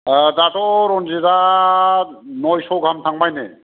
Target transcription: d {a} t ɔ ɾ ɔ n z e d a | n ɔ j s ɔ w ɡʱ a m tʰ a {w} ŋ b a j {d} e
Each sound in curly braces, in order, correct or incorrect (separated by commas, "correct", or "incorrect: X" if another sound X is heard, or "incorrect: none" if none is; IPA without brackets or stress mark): correct, incorrect: none, incorrect: n